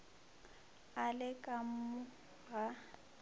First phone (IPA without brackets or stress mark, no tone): a